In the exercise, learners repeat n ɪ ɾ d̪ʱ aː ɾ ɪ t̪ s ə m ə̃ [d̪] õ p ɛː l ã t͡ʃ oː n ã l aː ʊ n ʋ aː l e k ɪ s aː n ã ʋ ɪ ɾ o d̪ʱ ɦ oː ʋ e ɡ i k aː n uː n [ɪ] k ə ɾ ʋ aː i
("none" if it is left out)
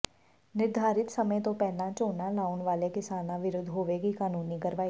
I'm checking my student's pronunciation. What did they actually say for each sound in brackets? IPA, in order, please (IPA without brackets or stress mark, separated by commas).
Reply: t̪, i